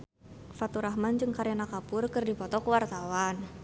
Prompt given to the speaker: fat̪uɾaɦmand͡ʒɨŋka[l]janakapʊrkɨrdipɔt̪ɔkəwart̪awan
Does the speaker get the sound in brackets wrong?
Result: yes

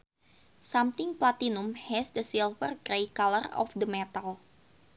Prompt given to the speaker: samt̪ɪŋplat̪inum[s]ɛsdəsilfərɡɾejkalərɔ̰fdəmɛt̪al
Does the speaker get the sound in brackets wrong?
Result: yes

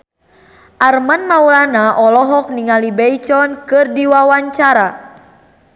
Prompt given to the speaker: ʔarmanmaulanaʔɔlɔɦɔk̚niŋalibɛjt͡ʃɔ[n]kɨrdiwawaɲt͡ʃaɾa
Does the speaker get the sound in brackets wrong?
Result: no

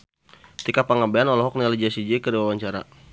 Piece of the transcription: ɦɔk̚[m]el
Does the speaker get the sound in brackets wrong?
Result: yes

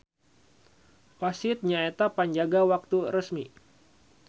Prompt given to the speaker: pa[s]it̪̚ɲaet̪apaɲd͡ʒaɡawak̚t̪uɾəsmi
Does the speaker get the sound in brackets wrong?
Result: no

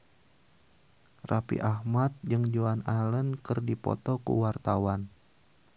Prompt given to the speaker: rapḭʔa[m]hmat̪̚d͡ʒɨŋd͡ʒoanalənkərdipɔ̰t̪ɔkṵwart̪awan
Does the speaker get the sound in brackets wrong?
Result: yes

